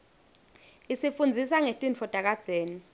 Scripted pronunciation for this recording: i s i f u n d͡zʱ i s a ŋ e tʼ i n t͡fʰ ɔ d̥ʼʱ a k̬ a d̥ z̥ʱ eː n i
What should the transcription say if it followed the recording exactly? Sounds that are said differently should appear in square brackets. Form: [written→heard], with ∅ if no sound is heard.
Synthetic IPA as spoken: i s i f u n d͡zʱ i s a ŋ e tʼ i n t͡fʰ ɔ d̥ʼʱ a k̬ a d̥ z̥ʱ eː n i